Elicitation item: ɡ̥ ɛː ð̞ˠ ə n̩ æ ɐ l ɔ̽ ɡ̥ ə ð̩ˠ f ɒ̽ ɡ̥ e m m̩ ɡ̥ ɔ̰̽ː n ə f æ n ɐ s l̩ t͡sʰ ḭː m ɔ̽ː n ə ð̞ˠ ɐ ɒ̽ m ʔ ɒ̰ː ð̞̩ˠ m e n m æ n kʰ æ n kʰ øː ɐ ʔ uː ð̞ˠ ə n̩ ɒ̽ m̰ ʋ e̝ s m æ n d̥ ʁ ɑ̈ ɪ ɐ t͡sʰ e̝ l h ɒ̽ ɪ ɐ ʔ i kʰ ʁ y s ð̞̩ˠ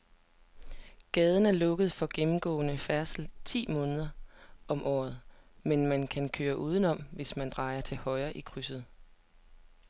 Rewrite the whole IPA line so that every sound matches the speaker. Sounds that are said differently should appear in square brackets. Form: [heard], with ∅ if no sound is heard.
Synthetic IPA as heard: ɡ̥ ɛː ð̞ˠ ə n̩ æ ɐ l ɔ̽ ɡ̥ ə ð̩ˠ f ɒ̽ ɡ̥ e m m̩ ɡ̥ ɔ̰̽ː n ə f æ [∅] ɐ s l̩ t͡sʰ ḭː m ɔ̽ː n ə ð̞ˠ ɐ ɒ̽ m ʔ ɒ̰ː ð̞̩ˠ m e n m æ n kʰ æ n kʰ øː ɐ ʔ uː ð̞ˠ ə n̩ ɒ̽ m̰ ʋ e̝ s m æ n d̥ ʁ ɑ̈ ɪ ɐ t͡sʰ e̝ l h ɒ̽ ɪ ɐ ʔ i kʰ ʁ y s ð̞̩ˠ